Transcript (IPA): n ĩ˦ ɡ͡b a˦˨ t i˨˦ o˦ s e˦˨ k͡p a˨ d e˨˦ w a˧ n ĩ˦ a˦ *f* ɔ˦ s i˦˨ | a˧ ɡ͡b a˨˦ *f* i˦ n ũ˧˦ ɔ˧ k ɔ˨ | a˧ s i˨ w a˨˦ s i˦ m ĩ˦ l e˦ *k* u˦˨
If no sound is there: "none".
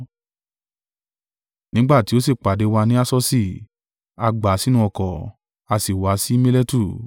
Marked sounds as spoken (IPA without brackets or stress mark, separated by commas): s, s, t